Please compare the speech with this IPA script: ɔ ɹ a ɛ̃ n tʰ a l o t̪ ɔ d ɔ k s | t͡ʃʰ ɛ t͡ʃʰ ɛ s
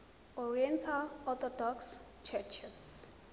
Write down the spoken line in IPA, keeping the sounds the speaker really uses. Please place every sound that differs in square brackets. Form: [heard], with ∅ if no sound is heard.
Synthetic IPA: ɔ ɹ [i] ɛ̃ n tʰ a l [ɔ] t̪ ɔ d ɔ k s | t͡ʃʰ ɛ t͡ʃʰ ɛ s